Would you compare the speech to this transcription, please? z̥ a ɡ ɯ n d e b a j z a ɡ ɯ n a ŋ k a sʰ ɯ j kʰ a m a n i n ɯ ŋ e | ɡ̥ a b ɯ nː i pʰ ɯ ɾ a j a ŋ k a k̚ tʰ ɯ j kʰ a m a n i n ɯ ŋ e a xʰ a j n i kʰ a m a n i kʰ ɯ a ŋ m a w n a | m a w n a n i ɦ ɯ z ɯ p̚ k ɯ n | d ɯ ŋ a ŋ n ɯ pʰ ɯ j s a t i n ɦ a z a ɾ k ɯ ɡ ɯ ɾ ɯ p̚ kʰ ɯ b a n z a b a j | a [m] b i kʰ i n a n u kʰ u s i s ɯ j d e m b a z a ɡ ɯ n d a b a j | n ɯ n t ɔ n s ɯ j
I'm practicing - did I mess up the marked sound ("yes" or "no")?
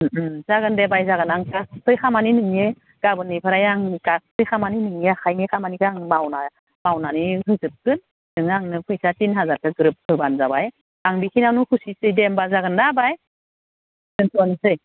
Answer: yes